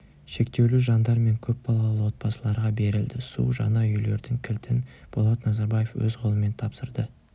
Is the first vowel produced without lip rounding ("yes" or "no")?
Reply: yes